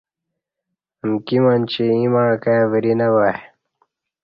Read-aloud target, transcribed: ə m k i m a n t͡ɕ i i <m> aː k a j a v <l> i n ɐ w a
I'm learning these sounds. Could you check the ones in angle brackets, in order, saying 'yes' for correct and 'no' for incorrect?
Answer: yes, no

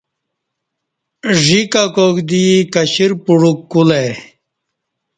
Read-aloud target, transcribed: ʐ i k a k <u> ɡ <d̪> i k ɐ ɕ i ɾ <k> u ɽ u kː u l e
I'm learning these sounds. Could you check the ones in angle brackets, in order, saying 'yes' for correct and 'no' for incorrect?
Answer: no, yes, no

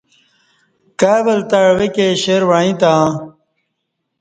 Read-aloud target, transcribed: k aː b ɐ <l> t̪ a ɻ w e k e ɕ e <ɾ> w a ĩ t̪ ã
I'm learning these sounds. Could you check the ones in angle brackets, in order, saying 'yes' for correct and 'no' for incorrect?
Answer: yes, yes

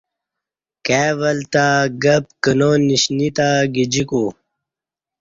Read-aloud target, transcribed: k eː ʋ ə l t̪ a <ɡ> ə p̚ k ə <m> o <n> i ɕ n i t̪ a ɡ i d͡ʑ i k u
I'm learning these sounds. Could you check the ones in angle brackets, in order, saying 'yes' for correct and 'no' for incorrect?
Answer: yes, no, yes

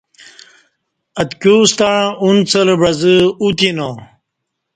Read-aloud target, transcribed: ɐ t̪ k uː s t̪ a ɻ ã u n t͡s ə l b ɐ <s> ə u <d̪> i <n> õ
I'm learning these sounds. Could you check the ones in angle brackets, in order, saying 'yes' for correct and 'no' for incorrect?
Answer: no, no, yes

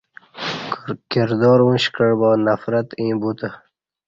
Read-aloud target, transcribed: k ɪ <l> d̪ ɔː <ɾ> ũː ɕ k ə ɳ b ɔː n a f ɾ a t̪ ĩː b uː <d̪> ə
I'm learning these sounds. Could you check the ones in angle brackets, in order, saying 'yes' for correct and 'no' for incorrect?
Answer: no, yes, no

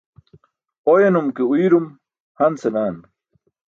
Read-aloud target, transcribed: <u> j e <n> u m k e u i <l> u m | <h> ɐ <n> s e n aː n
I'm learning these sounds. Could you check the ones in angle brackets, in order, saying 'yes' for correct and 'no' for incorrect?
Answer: no, yes, no, yes, yes

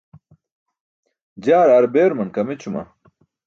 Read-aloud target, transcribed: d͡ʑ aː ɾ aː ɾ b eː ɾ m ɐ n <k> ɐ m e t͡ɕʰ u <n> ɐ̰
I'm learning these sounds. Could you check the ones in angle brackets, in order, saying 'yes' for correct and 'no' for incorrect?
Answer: yes, no

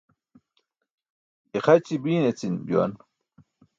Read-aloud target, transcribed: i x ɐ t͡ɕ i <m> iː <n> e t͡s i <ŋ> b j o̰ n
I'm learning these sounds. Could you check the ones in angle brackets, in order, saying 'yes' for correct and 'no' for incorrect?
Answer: no, yes, no

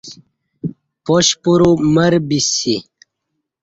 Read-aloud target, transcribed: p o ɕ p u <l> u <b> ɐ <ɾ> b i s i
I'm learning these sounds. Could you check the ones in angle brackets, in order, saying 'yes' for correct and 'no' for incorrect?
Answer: no, no, yes

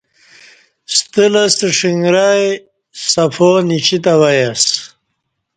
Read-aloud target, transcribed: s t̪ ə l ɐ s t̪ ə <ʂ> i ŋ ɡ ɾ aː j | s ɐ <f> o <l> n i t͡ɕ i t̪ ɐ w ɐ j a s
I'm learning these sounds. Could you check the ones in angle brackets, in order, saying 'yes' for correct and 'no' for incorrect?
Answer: yes, yes, no

